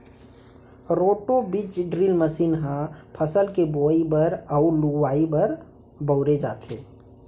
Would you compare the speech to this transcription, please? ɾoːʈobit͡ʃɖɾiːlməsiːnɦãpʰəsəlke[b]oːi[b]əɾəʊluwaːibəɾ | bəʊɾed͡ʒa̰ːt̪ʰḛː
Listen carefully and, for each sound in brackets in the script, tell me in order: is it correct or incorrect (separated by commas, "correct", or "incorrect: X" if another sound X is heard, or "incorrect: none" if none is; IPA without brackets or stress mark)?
correct, correct